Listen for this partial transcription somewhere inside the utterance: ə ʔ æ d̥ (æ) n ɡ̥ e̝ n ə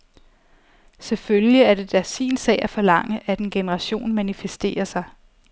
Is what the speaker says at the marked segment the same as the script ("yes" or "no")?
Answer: no